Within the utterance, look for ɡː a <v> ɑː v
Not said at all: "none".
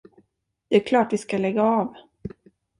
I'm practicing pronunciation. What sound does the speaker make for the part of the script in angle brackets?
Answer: none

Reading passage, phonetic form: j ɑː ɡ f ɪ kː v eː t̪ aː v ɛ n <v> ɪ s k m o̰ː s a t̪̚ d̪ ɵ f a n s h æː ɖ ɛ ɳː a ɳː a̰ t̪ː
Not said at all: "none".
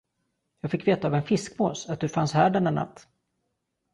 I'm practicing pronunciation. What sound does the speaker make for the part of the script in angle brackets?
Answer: f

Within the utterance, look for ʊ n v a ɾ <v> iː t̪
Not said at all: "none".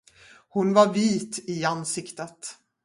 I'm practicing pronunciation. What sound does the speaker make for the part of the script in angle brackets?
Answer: v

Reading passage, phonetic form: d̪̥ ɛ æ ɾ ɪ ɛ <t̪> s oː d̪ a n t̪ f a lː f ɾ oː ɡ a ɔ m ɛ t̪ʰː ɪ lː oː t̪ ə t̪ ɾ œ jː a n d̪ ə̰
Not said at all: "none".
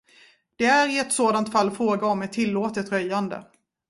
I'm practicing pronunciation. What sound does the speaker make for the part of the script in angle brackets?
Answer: t̪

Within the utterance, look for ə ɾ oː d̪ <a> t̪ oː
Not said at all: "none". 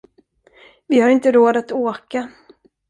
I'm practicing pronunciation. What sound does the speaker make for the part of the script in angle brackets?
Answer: a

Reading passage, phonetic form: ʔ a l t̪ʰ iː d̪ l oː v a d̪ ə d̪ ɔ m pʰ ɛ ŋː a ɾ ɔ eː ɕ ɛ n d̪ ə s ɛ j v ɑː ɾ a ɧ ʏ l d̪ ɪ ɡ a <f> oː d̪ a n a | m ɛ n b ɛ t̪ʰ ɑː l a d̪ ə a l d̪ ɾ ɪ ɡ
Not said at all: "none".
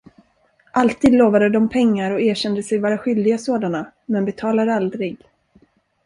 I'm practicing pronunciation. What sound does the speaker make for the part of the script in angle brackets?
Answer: s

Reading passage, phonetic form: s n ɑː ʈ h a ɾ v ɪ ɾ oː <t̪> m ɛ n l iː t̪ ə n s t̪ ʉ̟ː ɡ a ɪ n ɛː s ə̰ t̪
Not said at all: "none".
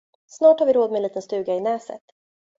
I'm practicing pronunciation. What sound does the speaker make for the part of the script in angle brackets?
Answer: d̪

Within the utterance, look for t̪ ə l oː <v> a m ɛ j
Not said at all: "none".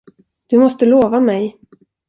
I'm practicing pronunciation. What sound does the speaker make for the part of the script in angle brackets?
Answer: v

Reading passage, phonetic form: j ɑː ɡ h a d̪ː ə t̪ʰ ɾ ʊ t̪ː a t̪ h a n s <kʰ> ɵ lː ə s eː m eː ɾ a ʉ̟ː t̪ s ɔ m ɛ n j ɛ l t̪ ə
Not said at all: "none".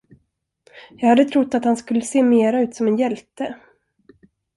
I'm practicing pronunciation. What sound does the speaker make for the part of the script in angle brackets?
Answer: k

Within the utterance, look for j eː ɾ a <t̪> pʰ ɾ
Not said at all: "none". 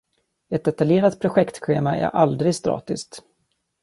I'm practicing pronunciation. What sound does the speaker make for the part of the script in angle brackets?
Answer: t̪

